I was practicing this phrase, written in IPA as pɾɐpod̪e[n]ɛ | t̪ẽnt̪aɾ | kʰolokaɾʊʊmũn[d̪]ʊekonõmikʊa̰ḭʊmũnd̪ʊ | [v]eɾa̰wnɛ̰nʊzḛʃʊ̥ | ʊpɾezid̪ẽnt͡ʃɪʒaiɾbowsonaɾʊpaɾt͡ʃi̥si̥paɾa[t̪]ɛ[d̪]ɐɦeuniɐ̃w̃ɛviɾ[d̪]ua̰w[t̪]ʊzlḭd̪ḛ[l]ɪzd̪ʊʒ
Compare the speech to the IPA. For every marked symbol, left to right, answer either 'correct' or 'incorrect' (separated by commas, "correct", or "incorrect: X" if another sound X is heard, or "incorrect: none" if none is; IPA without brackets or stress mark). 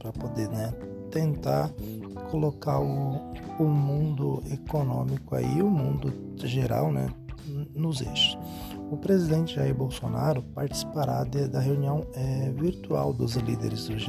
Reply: correct, correct, incorrect: ʒ, incorrect: d̪, correct, incorrect: t̪, incorrect: d̪, incorrect: ɾ